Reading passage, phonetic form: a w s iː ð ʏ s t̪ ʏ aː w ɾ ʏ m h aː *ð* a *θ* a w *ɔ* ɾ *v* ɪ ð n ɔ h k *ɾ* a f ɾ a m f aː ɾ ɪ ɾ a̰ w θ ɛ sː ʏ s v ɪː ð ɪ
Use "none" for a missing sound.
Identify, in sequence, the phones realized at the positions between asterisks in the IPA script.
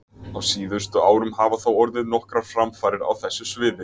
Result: v, θ, ɔ, ð, ɾ

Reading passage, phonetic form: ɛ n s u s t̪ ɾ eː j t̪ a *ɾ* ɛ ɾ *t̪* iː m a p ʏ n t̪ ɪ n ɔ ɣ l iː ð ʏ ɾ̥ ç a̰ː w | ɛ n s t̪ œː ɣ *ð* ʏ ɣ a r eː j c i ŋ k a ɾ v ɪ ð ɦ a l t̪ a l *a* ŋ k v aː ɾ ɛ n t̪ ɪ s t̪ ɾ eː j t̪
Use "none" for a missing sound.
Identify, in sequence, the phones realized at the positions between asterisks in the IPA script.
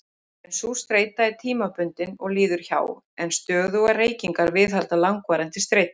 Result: none, t̪ʰ, ð, a

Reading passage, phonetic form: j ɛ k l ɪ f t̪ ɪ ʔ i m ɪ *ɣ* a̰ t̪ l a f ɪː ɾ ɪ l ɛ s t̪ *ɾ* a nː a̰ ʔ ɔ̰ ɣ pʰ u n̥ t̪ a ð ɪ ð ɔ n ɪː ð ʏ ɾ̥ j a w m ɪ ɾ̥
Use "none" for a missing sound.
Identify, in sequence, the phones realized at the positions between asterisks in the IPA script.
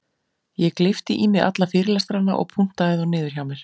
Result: ɣ, ɾ

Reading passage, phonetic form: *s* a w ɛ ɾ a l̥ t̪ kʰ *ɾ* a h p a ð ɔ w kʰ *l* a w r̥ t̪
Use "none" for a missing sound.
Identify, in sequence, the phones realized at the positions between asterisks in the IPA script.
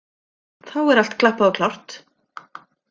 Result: θ, l, l

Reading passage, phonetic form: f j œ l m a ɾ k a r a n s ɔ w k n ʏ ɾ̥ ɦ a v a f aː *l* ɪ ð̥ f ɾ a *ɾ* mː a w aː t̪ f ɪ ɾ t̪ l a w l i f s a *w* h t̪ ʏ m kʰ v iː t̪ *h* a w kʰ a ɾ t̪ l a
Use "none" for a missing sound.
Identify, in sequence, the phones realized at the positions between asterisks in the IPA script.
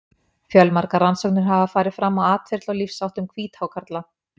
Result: ɾ, none, w, h

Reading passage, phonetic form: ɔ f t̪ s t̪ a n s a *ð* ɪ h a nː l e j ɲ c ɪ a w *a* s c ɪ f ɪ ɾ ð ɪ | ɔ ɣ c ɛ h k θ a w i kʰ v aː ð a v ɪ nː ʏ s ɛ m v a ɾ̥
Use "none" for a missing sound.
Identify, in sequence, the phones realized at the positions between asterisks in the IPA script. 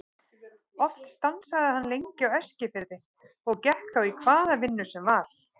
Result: ð, ɛ

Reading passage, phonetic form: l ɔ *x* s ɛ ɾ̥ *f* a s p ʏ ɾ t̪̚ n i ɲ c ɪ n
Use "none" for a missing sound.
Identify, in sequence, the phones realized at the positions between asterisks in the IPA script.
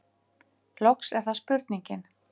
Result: k, θ

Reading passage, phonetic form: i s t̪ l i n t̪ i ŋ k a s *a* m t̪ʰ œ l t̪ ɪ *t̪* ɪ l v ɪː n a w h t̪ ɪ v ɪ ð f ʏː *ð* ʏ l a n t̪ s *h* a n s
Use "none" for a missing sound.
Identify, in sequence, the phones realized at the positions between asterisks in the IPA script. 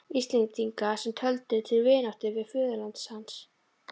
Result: ɛ, t̪ʰ, ð, h

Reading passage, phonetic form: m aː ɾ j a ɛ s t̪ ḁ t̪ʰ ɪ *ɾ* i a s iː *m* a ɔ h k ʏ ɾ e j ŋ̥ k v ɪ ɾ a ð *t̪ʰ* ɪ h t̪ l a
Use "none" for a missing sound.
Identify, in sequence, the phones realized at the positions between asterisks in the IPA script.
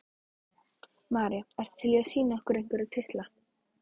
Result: l, n, t̪ʰ

